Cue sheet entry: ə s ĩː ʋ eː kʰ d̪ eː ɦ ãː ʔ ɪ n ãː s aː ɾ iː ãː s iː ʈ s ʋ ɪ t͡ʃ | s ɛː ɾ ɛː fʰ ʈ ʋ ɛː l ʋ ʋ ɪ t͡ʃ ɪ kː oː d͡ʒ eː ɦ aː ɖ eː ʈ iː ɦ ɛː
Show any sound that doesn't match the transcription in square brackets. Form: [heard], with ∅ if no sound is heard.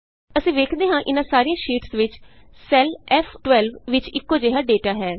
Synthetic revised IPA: ə s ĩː ʋ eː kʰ d̪ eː ɦ ãː ʔ ɪ n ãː s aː ɾ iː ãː [ʃ] iː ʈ s ʋ ɪ t͡ʃ | s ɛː [l] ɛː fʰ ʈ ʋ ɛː l ʋ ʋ ɪ t͡ʃ ɪ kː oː d͡ʒ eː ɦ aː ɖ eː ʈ [aː] ɦ ɛː